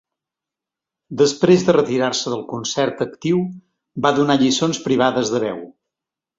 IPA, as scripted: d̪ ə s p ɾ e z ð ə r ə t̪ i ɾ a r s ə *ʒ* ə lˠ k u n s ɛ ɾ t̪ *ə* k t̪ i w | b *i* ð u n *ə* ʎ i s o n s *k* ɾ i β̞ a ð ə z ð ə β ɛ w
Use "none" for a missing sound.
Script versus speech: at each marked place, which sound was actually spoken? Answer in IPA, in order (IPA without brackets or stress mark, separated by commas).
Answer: ð, ə, a, a, p